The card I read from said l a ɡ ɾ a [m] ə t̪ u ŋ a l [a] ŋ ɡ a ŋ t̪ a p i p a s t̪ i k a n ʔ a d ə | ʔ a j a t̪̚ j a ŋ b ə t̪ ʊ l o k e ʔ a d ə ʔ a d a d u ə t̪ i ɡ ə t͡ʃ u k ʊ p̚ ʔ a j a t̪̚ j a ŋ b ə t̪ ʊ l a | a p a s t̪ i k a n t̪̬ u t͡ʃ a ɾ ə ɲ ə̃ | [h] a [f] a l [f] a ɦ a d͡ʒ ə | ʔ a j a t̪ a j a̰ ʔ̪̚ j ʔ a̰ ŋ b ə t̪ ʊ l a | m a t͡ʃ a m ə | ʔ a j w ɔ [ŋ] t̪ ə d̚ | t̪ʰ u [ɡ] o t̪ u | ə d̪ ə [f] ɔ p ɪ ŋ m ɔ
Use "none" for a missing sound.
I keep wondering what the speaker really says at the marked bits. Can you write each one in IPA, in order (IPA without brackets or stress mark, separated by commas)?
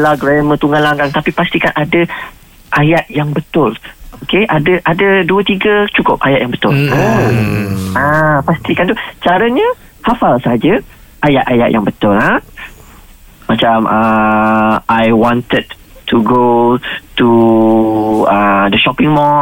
m, a, h, f, s, n, ɡ, ʃ